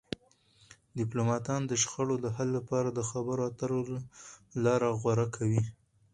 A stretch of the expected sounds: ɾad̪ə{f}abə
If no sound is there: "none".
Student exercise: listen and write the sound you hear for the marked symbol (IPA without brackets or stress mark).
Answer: x